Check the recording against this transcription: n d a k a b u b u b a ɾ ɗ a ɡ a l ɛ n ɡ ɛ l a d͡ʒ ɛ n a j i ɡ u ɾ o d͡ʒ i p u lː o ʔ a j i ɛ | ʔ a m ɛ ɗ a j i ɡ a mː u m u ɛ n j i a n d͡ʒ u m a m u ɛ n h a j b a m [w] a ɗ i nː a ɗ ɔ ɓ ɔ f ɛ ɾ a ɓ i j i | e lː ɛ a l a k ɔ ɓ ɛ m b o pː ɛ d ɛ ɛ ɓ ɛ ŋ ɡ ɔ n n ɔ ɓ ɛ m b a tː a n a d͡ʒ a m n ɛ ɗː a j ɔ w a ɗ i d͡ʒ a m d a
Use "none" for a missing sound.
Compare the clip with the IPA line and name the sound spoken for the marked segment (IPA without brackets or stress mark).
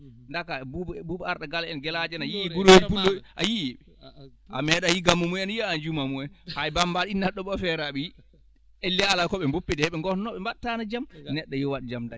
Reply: b